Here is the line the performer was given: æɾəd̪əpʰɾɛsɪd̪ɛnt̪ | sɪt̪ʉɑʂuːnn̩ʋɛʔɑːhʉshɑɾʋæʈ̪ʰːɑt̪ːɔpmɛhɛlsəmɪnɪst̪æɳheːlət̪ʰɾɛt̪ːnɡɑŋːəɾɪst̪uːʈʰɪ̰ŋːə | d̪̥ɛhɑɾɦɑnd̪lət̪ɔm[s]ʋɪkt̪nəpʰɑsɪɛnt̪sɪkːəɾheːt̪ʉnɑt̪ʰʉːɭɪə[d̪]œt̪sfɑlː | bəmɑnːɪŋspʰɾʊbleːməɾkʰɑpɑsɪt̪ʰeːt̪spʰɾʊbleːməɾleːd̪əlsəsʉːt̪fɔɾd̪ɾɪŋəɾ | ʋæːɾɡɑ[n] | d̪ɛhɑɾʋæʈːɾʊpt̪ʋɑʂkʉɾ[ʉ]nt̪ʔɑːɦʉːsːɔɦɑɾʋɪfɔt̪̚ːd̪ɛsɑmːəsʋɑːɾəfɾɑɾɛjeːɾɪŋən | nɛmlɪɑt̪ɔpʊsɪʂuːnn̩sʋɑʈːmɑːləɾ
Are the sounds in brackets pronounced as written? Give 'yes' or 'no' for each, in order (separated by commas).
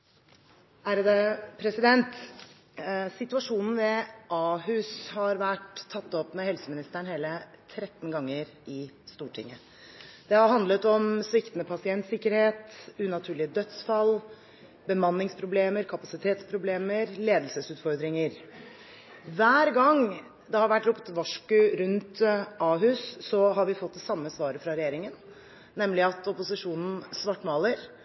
yes, yes, no, yes